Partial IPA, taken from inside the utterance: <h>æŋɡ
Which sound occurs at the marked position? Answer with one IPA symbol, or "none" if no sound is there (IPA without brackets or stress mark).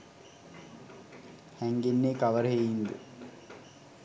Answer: h